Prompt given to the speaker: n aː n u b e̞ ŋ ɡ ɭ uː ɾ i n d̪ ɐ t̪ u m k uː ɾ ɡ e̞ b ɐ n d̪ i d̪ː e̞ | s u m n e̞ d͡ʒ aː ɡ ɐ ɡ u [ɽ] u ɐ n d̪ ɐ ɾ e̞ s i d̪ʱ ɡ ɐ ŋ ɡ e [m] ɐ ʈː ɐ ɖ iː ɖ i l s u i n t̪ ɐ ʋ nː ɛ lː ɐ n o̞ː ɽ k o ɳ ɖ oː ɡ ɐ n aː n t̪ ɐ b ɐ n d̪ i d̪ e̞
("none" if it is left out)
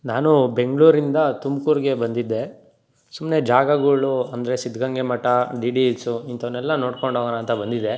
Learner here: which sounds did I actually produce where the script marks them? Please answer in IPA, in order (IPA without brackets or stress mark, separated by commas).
ɭ, m